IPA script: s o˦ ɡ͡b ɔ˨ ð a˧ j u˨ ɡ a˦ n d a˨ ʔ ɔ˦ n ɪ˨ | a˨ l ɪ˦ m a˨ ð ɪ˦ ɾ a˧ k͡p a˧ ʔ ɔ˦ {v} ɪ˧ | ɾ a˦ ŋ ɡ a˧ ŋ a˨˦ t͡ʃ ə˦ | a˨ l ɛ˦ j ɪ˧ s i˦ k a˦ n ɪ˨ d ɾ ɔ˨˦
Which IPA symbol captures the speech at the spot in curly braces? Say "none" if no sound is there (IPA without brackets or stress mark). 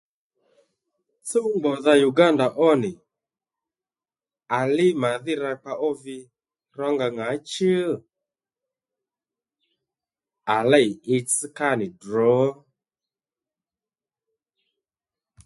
v